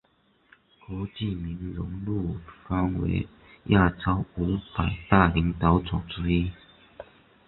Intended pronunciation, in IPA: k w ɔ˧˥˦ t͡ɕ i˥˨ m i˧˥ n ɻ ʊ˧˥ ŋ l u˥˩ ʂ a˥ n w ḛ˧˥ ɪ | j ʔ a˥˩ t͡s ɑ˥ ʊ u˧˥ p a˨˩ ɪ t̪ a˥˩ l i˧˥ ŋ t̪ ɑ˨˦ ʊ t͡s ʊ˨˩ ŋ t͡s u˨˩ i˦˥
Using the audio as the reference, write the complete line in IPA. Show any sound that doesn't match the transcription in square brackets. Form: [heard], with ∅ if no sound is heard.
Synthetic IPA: k w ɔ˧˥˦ t͡ɕ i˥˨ m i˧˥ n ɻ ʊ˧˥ ŋ l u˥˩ [f] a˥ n w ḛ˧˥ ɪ | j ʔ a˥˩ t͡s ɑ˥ ʊ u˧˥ p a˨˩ ɪ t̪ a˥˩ l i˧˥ ŋ t̪ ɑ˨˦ ʊ t͡s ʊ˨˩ ŋ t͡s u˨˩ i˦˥